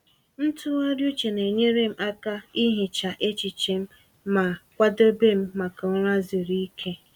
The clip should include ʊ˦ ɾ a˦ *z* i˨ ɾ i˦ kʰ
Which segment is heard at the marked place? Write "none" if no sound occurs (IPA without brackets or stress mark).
z